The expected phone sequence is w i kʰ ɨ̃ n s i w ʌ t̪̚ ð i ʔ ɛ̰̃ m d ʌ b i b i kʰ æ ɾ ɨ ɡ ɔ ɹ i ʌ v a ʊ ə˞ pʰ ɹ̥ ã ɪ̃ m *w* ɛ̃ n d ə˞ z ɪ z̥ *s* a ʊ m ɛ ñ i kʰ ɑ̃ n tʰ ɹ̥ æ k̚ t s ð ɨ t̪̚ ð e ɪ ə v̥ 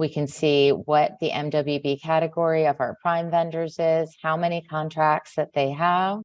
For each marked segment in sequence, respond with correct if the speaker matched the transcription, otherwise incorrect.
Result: incorrect, incorrect

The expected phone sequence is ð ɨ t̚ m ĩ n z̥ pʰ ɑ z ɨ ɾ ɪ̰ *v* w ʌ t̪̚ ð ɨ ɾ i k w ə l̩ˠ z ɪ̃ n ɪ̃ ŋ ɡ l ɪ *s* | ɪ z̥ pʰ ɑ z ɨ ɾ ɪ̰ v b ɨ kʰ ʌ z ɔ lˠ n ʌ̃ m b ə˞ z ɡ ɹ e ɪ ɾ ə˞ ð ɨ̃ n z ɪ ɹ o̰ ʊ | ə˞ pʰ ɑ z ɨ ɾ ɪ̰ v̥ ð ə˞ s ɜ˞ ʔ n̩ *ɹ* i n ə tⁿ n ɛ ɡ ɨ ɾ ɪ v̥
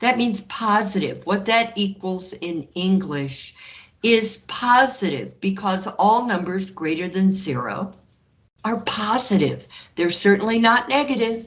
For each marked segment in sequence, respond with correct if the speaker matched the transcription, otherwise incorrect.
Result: correct, incorrect, incorrect

